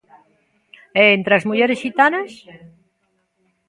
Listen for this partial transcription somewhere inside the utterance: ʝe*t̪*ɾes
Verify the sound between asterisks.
incorrect: none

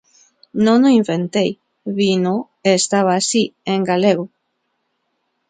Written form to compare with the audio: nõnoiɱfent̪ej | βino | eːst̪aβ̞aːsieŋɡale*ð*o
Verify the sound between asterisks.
incorrect: ɣ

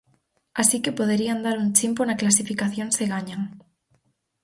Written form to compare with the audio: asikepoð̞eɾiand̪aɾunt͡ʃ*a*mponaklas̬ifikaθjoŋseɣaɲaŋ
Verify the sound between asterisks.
incorrect: i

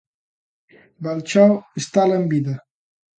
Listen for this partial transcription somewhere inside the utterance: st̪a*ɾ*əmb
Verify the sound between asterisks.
incorrect: l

